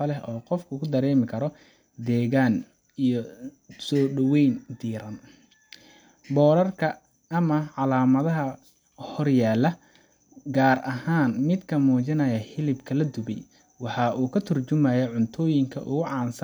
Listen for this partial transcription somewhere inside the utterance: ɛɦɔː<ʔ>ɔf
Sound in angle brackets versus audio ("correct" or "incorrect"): incorrect